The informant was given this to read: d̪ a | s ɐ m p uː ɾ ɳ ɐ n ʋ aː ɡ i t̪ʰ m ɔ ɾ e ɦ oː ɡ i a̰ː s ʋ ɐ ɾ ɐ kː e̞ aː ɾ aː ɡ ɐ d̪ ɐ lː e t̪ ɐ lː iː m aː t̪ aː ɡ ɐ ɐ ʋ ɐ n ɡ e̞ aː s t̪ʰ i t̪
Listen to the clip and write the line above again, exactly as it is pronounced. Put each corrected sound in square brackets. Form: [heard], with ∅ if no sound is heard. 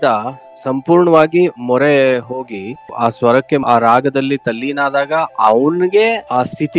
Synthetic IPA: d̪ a | s ɐ m p uː ɾ ɳ ɐ [∅] ʋ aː ɡ i [∅] m ɔ ɾ e ɦ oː ɡ i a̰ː s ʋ ɐ ɾ ɐ kː e̞ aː ɾ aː ɡ ɐ d̪ ɐ lː [i] t̪ ɐ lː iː [n] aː [d̪] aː ɡ ɐ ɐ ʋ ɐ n ɡ e̞ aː s t̪ʰ i t̪